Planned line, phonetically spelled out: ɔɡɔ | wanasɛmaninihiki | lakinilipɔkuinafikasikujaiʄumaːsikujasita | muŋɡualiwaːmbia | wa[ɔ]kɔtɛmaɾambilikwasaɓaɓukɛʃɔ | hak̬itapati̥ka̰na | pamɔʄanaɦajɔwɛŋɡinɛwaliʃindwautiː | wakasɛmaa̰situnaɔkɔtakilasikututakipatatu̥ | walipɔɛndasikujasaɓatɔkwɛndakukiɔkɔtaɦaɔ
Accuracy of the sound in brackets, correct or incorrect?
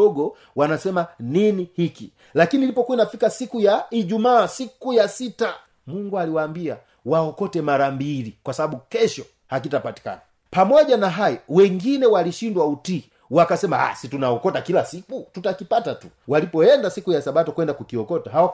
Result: correct